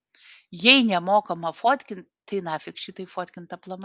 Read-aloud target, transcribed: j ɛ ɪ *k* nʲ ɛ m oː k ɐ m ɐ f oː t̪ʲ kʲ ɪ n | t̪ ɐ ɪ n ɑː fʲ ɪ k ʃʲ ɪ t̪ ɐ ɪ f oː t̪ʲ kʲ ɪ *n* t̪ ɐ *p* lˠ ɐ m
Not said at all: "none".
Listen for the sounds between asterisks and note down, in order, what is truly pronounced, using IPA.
none, n, p

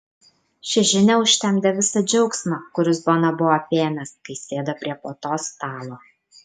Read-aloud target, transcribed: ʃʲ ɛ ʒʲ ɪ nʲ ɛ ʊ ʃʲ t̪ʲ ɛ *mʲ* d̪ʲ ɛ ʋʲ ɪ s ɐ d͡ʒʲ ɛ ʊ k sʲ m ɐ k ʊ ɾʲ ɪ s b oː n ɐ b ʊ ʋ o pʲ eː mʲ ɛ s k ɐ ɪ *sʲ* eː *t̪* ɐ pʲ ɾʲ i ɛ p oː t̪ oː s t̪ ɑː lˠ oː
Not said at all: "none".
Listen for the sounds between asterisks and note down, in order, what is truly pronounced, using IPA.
mʲ, sʲ, d̪

